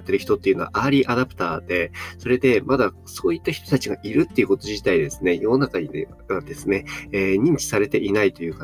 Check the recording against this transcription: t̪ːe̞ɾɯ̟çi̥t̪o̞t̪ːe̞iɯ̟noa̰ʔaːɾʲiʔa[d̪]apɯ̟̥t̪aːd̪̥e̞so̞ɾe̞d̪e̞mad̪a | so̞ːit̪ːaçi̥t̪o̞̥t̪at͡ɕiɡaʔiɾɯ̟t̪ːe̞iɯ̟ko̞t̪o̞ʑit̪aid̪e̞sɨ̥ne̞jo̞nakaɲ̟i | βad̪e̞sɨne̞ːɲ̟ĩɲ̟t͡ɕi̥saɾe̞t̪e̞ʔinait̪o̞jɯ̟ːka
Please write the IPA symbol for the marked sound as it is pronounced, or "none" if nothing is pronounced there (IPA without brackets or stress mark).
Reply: d̪